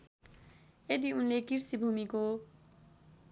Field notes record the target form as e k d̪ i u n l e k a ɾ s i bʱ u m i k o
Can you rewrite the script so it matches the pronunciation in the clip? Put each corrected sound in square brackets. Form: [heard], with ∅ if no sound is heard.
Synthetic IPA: e [∅] d̪ i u n l e k [i] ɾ s i bʱ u m i k o